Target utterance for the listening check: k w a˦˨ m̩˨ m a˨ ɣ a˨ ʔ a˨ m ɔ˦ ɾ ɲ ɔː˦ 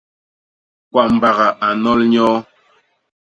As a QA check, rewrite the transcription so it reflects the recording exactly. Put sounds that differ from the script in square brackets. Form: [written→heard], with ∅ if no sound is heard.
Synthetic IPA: k w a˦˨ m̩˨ [m→b] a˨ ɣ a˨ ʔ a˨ [m→n] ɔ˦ [ɾ→l] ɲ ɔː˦